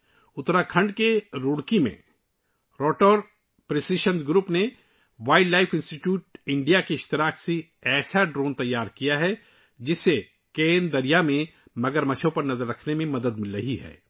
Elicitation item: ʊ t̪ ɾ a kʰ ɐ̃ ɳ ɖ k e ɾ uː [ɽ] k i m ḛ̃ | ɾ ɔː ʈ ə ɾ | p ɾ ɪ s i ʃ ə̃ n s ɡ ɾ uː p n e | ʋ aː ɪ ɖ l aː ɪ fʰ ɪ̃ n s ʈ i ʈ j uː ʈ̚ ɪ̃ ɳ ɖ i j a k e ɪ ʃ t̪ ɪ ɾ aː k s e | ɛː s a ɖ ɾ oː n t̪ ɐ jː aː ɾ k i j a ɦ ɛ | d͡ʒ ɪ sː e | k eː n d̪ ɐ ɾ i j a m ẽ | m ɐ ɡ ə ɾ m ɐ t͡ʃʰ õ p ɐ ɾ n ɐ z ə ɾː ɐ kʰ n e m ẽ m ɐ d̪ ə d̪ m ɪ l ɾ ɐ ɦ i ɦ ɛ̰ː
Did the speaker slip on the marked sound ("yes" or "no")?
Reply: no